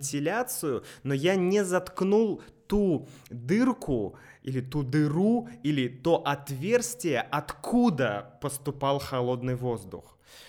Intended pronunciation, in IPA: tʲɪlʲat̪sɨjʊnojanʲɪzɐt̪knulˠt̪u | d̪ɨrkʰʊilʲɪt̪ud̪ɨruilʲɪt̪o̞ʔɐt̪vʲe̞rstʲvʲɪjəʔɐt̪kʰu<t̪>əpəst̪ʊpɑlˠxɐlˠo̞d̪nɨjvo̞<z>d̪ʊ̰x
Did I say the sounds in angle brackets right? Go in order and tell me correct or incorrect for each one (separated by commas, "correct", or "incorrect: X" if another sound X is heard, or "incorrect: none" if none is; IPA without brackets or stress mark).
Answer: incorrect: d̪, correct